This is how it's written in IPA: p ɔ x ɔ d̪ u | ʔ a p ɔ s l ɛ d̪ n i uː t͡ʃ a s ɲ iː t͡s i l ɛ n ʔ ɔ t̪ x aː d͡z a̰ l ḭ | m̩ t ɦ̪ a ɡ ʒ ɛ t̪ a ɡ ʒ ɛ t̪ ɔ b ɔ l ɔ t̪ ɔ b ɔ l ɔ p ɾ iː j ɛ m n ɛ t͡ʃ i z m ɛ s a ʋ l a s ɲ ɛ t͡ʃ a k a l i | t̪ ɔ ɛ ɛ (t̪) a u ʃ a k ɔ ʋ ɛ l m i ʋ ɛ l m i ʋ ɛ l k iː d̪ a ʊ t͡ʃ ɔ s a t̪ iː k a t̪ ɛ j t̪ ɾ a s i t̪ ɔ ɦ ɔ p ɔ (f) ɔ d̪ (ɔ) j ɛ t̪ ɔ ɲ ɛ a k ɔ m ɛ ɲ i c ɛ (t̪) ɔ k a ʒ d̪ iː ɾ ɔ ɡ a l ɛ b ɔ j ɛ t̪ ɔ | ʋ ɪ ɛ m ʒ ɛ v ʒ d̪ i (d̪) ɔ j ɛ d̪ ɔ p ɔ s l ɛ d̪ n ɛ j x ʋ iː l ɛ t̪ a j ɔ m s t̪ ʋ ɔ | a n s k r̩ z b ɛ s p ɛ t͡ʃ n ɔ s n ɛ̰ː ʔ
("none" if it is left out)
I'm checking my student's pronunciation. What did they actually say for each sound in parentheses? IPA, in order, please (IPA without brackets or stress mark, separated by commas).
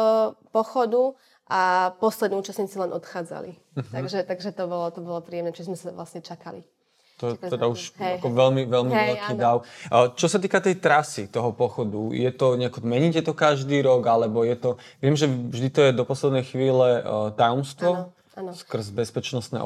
d̪, x, u, t̪, t̪